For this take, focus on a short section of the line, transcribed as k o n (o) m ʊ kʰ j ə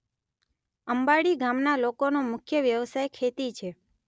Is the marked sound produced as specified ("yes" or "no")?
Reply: yes